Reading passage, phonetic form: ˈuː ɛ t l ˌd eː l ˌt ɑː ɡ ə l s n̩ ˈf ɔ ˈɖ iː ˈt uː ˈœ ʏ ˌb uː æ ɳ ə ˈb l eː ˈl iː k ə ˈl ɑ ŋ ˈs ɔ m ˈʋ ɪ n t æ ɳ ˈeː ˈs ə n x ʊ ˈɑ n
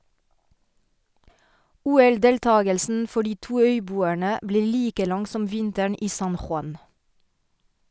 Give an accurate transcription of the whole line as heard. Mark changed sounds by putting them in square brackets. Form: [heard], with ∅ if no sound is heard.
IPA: ˈuː ɛ [∅] l ˌd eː l ˌt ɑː ɡ ə l s n̩ ˈf ɔ ˈɖ iː ˈt uː ˈœ ʏ ˌb uː æ ɳ ə ˈb l eː ˈl iː k ə ˈl ɑ ŋ ˈs ɔ m ˈʋ ɪ n t æ ɳ [ˈiː] ˈs [ɑ] n x ʊ ˈɑ n